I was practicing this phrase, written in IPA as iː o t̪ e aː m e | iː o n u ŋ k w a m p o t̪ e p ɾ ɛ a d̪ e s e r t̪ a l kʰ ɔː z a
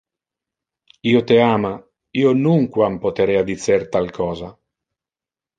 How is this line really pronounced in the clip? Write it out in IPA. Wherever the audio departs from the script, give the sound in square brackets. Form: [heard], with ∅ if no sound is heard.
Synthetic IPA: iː o t̪ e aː m [a] | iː o n u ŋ k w a m p o t̪ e [∅] ɾ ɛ a d̪ [i] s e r t̪ a l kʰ ɔː z a